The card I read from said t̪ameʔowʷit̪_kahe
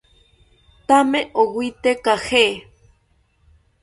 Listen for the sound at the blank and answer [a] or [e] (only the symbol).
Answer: e